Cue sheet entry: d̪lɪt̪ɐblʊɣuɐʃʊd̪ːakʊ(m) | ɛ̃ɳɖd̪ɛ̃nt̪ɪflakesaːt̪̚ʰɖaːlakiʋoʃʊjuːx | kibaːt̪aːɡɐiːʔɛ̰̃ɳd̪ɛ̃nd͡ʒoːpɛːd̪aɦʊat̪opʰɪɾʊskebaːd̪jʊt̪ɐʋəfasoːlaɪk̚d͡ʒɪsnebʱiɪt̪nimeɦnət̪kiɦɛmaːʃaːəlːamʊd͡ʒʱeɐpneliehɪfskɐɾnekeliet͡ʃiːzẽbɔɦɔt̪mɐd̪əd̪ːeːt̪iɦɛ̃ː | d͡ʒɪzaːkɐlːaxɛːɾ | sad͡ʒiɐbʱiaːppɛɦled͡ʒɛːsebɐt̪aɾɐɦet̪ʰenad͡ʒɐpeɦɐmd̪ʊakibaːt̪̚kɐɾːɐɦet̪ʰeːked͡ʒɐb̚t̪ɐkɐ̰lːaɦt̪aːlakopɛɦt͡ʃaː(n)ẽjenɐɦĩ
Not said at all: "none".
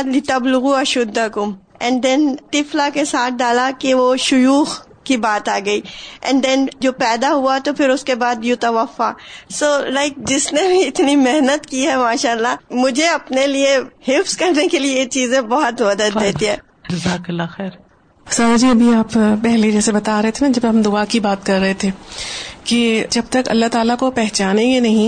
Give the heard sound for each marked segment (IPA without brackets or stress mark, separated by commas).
m, n